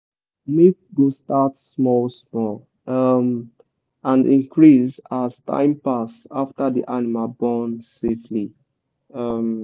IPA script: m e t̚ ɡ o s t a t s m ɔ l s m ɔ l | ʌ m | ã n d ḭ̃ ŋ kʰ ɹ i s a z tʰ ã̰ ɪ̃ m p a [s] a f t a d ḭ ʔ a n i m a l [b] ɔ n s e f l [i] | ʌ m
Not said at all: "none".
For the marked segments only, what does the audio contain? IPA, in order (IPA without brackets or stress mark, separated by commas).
s, b, i